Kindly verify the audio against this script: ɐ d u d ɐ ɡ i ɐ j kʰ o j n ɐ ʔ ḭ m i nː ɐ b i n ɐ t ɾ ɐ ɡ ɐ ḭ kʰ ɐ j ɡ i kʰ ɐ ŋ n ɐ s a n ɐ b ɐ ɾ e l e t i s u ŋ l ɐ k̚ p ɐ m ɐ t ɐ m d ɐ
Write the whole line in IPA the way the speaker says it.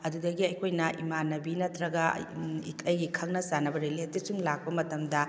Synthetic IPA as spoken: ɐ d u d ɐ ɡ i ɐ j kʰ o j n ɐ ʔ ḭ m a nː ɐ b i n ɐ t ɾ ɐ ɡ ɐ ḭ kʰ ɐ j ɡ i kʰ ɐ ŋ n ɐ s a n ɐ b ɐ ɾ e l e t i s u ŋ l a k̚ p ɐ m ɐ t ɐ m d ɐ